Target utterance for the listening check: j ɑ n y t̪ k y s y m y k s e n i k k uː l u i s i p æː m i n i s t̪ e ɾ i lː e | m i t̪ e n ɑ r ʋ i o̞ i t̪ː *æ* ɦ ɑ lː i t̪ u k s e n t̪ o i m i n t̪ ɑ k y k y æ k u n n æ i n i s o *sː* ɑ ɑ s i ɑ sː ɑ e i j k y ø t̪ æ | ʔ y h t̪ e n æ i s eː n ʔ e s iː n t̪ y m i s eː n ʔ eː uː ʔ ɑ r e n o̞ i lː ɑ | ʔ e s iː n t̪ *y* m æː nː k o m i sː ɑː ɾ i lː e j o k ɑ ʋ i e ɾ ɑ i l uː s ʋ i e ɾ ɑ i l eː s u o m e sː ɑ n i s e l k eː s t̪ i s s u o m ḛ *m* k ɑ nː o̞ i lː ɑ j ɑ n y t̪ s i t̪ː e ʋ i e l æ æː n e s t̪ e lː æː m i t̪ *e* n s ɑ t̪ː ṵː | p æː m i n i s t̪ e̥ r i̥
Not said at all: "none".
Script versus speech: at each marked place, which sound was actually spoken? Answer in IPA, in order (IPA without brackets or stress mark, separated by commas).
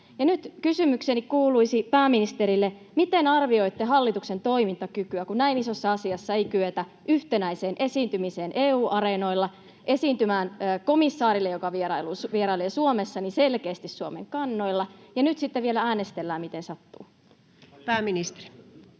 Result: e, sː, y, ŋ, e